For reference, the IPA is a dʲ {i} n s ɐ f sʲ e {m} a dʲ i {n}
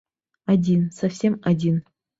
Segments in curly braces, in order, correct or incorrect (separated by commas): correct, correct, correct